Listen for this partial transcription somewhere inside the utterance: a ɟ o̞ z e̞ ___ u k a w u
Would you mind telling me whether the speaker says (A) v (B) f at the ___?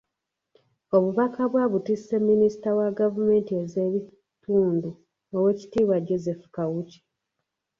B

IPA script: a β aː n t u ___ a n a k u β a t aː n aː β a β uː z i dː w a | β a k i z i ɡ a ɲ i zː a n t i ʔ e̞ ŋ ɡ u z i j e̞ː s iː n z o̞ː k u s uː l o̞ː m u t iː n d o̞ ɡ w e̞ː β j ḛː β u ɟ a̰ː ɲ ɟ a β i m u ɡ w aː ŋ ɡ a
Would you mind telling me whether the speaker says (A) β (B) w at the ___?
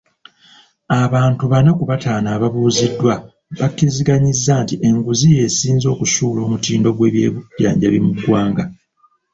A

